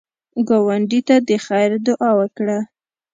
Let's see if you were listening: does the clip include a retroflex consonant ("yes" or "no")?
yes